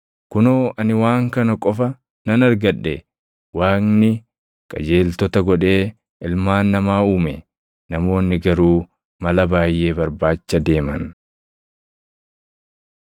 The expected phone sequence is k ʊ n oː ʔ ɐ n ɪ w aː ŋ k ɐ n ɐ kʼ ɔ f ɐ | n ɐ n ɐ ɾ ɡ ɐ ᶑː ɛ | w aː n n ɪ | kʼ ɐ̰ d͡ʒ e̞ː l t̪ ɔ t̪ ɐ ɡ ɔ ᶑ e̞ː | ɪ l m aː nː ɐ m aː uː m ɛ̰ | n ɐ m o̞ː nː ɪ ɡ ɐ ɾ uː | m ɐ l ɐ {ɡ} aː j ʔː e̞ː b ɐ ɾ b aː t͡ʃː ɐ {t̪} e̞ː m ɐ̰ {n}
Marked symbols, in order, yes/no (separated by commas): no, no, yes